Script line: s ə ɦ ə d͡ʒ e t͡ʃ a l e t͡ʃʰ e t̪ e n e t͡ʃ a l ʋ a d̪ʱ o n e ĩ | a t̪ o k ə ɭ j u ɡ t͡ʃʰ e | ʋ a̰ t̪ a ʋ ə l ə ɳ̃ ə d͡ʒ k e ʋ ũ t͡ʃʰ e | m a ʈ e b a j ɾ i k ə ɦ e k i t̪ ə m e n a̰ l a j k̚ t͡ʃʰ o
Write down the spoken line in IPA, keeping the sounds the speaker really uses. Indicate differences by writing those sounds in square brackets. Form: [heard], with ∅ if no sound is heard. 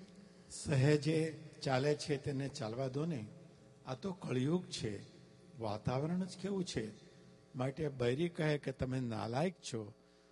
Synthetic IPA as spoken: s ə ɦ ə d͡ʒ e t͡ʃ a l e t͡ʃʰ e t̪ e n e t͡ʃ a l ʋ a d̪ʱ o n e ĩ | a t̪ o k ə ɭ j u ɡ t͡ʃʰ e | ʋ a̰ t̪ a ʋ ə [ɾ] ə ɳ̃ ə d͡ʒ k e ʋ ũ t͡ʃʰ e | m a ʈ e b [ə] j ɾ i k ə ɦ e k [e] t̪ ə m e n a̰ l a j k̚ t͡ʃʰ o